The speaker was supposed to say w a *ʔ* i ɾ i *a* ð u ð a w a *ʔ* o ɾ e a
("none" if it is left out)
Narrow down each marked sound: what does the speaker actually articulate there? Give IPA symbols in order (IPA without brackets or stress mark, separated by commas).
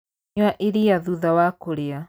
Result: ʔ, a, k